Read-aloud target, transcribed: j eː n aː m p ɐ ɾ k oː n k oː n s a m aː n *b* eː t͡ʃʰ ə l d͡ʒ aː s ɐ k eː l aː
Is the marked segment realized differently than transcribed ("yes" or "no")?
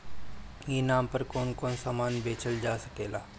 no